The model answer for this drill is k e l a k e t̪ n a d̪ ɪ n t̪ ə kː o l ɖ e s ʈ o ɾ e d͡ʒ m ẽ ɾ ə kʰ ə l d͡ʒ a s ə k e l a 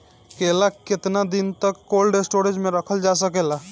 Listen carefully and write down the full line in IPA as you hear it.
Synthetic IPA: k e l a k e t̪ n a d̪ i n t̪ ə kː o l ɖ e s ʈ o ɾ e d͡ʒ m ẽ ɾ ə kʰ ə l d͡ʒ a s ə k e l a